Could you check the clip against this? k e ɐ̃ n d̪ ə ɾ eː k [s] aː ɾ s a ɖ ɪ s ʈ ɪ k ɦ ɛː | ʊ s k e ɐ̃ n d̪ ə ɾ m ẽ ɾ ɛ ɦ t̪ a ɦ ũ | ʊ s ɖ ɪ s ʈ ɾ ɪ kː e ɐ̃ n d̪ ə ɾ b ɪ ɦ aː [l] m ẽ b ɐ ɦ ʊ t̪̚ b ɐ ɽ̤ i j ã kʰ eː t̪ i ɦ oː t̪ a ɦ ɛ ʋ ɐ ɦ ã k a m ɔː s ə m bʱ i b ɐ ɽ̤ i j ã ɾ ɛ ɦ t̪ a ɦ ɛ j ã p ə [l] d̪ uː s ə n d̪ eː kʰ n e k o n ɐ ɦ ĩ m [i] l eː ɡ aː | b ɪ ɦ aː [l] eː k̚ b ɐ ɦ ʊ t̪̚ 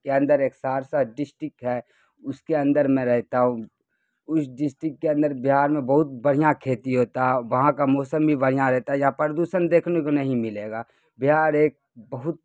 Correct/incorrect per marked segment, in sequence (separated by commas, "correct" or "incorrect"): correct, incorrect, incorrect, incorrect, incorrect